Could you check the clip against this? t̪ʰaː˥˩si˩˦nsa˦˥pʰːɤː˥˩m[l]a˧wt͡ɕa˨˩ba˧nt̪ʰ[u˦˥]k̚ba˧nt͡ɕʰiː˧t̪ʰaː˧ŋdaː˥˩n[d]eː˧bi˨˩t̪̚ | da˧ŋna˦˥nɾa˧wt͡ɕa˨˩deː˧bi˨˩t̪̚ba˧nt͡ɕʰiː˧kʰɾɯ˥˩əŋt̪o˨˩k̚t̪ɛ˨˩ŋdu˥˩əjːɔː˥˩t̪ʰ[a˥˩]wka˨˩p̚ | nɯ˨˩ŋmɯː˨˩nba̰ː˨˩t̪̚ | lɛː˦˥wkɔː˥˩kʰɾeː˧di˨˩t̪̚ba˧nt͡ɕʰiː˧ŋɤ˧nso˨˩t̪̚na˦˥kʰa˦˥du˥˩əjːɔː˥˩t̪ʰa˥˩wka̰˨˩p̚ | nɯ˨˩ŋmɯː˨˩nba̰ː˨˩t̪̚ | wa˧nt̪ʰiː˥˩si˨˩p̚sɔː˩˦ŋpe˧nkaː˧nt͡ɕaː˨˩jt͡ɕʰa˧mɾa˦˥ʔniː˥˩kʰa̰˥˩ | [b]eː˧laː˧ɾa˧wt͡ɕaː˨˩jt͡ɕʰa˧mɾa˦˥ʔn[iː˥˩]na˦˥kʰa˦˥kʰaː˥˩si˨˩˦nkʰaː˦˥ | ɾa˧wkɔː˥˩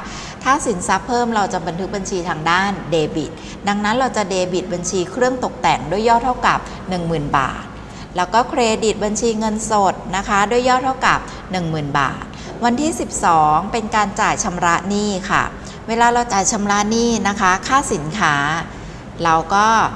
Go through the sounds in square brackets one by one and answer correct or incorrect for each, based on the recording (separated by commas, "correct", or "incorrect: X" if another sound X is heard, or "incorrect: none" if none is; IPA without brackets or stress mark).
incorrect: ɾ, incorrect: ɯ˦˥, correct, correct, incorrect: w, correct